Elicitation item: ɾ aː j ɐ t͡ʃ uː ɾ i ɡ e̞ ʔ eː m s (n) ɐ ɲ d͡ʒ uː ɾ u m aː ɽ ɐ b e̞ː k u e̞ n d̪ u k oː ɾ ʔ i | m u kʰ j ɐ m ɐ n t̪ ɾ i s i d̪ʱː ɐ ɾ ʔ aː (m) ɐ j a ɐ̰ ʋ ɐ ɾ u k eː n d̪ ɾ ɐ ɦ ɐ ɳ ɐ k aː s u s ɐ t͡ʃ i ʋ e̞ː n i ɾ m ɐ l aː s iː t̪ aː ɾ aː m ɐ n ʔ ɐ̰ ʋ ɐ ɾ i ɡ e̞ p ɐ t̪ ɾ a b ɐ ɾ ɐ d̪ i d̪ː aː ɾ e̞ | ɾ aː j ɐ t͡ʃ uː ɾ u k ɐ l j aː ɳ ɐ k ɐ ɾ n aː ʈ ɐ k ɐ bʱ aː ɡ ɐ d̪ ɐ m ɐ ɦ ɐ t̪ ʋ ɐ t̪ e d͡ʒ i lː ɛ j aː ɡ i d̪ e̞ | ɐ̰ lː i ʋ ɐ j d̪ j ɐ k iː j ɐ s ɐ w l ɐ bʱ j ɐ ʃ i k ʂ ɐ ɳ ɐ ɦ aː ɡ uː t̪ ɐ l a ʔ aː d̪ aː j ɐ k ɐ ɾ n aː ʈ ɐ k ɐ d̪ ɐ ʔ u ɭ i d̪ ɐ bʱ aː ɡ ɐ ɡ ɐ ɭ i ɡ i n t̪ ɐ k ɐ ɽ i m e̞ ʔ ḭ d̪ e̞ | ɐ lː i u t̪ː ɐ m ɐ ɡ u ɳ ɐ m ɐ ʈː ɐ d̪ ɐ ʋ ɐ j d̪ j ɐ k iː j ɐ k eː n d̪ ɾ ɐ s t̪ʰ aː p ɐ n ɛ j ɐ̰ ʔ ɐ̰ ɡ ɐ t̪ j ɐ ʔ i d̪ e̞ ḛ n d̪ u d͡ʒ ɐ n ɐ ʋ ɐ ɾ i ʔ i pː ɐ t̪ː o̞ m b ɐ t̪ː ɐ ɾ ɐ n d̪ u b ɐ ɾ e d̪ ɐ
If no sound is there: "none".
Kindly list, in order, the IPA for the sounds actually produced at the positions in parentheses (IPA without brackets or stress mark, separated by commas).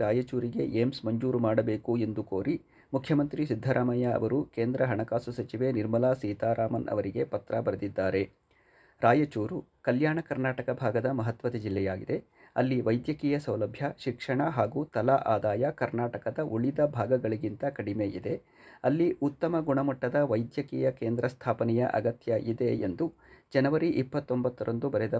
m, m